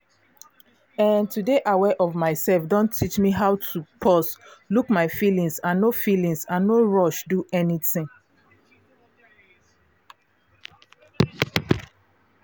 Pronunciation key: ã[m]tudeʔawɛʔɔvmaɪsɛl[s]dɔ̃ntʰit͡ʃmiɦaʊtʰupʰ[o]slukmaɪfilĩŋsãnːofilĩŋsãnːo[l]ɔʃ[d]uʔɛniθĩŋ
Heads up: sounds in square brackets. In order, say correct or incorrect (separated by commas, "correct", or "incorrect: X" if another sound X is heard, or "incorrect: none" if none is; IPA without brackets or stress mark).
incorrect: n, incorrect: f, incorrect: ɔ, incorrect: ɹ, correct